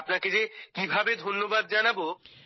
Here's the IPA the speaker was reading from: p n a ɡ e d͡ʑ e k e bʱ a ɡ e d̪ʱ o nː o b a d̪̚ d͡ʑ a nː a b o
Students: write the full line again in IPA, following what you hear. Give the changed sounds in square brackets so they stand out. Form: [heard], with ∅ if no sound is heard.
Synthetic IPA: p n a [k] e d͡ʑ e k [i] bʱ a [b] e d̪ʱ o nː o b a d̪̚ d͡ʑ a [n] a b o

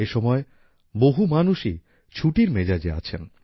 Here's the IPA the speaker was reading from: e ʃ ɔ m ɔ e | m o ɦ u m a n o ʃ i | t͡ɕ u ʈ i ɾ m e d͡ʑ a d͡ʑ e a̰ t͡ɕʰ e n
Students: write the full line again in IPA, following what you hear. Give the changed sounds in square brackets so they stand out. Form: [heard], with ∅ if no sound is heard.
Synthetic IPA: e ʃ ɔ m ɔ e | [b] o ɦ u m a n [u] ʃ i | [t͡ɕʰ] u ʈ i ɾ m e d͡ʑ a d͡ʑ e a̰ t͡ɕʰ e n

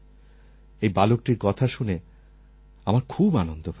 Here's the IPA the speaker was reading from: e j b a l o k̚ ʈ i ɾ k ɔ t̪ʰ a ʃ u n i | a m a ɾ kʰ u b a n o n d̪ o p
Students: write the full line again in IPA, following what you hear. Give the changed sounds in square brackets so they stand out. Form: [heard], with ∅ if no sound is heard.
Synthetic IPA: e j b a l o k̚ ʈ i ɾ k ɔ t̪ʰ a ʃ u n [e] | a m a ɾ kʰ u b a n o n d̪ o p

